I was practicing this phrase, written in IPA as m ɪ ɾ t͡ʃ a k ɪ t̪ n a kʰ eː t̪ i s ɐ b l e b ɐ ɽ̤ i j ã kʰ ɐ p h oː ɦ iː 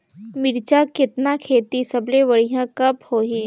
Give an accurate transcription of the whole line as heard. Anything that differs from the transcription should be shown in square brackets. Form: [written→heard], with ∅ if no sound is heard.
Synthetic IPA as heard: m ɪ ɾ t͡ʃ a k ɪ t̪ n a kʰ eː t̪ i s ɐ b l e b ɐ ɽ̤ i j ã [kʰ→k] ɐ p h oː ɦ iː